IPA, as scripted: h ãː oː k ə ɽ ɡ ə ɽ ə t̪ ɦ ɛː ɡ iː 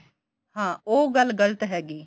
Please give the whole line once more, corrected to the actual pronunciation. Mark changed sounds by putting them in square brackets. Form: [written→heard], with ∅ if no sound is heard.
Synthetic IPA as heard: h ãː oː [k→ɡ] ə [ɽ→l] ɡ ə [ɽ→l] ə t̪ ɦ ɛː ɡ iː